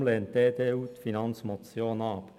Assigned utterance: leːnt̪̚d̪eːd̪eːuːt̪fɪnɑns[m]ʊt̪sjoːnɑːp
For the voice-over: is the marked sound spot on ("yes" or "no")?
yes